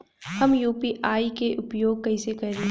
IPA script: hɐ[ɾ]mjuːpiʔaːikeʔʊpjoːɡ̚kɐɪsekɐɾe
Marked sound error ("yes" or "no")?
yes